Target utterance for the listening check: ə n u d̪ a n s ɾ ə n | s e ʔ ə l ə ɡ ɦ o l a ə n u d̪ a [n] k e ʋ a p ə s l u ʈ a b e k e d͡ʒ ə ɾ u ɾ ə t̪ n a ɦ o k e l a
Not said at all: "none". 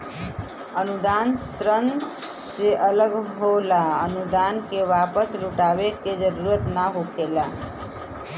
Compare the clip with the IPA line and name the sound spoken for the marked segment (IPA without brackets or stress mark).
n